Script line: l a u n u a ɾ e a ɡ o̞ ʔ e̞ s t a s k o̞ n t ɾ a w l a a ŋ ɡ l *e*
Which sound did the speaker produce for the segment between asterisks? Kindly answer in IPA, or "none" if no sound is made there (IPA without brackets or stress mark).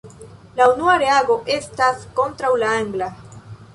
a